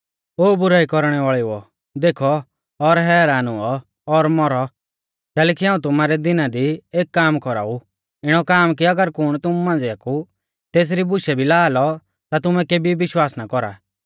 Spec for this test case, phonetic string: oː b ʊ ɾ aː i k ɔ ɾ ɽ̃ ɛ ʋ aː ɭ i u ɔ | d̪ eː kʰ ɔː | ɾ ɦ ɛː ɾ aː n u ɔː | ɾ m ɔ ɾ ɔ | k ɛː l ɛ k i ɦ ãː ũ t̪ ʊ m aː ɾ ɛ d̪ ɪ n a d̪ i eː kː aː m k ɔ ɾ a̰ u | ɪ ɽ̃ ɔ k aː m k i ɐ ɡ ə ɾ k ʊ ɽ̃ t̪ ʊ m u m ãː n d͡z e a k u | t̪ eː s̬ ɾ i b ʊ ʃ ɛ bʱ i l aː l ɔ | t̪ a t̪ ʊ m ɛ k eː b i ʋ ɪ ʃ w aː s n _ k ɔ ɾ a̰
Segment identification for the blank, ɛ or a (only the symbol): a